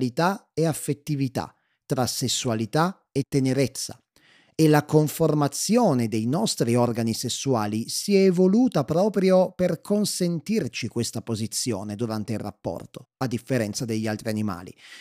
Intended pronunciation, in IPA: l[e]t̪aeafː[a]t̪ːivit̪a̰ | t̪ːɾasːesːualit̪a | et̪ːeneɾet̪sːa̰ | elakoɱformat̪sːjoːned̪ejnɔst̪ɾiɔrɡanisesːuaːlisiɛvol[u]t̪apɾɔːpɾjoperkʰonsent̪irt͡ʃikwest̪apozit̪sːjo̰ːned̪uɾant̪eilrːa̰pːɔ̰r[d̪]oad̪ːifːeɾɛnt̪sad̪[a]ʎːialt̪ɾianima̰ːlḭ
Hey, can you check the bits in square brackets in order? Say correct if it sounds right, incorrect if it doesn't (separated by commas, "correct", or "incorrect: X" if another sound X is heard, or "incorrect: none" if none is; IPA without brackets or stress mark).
incorrect: i, incorrect: e, incorrect: uː, incorrect: t̪, incorrect: e